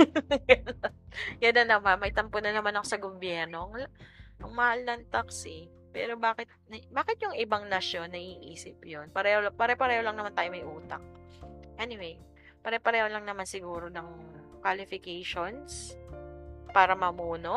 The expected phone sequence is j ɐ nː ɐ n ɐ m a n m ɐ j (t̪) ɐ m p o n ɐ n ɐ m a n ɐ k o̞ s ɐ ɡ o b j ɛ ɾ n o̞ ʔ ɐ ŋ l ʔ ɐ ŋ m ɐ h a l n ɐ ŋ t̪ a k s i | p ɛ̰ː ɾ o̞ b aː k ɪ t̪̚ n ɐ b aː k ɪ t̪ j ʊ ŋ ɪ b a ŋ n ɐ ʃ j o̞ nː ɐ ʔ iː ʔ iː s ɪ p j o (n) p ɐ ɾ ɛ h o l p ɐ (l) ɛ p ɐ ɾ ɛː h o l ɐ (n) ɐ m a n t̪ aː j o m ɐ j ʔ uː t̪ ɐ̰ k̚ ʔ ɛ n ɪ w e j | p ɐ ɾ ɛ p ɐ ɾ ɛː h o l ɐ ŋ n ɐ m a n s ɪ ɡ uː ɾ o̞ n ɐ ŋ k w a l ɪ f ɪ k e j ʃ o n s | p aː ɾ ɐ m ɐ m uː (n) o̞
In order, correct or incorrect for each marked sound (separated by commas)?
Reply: correct, correct, incorrect, incorrect, correct